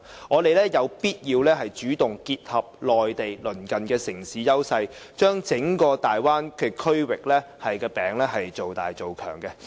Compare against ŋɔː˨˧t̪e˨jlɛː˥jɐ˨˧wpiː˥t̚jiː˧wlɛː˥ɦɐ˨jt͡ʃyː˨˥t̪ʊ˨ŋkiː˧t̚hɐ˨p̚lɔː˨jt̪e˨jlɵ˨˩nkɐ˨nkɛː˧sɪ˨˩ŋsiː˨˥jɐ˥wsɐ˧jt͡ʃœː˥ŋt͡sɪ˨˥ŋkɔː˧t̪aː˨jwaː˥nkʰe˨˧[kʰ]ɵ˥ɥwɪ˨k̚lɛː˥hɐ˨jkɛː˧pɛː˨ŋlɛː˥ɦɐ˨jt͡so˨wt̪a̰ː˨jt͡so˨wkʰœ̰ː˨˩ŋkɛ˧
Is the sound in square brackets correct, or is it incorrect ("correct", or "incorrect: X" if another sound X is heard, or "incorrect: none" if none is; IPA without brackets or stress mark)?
correct